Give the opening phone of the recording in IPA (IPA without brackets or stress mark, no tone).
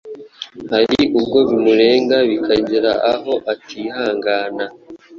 h